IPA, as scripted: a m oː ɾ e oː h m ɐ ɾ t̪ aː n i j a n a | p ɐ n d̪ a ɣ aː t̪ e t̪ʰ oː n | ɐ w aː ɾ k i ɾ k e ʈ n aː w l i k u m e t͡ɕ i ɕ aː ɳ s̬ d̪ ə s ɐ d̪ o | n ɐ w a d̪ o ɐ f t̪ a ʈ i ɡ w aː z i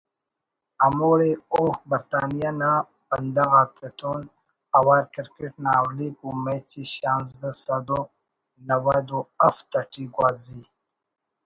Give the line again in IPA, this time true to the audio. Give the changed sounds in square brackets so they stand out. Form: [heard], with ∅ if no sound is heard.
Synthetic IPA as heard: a m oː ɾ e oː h [b] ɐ ɾ t̪ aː n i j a n a | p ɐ n d̪ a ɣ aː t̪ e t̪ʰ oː n | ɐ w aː ɾ k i ɾ k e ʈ n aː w l i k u m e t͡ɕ i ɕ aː [n] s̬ d̪ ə s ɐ d̪ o | n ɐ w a d̪ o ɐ f t̪ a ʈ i ɡ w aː z i